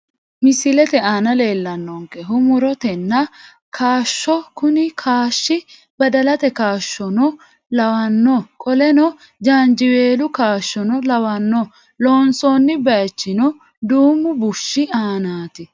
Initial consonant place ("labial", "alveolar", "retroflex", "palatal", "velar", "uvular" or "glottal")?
labial